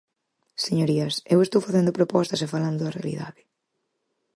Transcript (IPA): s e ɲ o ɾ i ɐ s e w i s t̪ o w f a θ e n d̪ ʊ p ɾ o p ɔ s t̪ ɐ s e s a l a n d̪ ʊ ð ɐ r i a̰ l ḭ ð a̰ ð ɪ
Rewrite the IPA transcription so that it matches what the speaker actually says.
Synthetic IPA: s e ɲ o ɾ i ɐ s e w e s t̪ o w f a θ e n d̪ ʊ p ɾ o p ɔ s t̪ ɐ s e f a l a n d̪ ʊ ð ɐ r e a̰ l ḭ ð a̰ ð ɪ